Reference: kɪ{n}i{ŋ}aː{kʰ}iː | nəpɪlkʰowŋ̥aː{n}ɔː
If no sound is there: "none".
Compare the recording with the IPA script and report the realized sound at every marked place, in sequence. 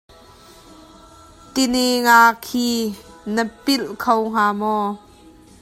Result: n, ŋ, kʰ, m

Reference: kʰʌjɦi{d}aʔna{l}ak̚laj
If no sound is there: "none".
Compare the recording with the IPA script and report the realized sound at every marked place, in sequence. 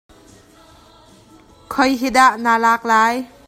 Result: d, l

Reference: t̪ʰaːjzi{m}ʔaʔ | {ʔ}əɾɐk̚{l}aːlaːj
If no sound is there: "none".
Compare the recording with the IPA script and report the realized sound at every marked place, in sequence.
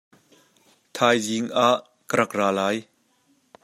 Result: ŋ, k, r

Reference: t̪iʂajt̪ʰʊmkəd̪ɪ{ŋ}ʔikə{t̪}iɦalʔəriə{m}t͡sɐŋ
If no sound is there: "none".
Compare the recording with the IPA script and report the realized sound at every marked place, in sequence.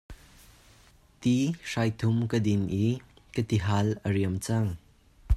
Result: n, t̪, m

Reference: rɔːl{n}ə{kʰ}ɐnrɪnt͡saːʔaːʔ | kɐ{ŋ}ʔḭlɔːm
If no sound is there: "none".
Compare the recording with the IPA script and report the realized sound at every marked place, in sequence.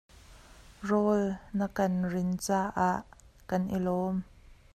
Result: n, k, n

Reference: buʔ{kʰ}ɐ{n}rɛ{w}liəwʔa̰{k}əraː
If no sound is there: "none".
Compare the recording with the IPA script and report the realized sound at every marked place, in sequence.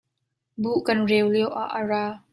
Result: k, n, w, ʔ

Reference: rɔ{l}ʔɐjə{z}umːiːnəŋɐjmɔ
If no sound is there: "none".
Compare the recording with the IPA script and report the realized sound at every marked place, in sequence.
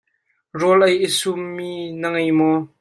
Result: l, s

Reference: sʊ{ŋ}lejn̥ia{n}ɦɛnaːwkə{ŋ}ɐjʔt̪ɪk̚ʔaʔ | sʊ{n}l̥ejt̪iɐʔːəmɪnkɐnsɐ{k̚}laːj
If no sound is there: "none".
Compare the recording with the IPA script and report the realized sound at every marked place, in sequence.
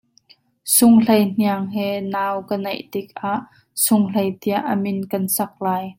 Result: ŋ, ŋ, n, ŋ, k̚

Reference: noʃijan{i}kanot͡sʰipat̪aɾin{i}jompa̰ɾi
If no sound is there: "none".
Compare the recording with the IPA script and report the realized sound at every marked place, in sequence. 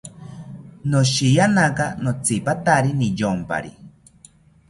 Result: a, i

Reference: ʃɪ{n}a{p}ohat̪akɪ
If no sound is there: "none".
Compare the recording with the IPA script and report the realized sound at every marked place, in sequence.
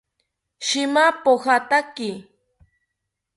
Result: m, p

